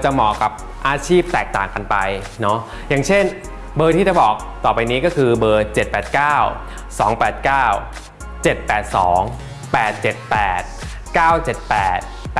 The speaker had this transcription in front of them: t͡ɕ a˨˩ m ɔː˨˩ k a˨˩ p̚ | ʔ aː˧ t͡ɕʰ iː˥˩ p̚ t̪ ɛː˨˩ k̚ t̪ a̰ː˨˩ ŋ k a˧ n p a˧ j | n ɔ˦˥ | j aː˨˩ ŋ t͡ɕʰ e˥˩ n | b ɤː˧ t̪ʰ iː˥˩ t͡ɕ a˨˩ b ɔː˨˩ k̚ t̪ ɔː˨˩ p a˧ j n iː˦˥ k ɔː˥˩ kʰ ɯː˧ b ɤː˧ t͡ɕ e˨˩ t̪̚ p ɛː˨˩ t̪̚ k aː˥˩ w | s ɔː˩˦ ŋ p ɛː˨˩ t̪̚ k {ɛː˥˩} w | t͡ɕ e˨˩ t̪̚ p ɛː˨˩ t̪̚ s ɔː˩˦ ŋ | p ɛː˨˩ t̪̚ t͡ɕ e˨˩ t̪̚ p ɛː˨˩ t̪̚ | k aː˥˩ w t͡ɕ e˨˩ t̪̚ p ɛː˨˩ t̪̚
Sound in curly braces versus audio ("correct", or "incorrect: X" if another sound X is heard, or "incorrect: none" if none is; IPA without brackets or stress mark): incorrect: aː˥˩